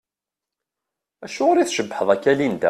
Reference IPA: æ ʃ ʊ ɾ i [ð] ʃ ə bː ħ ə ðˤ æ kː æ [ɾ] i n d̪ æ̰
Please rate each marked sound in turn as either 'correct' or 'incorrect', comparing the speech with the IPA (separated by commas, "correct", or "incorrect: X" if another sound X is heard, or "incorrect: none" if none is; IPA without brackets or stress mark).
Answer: incorrect: θ, incorrect: l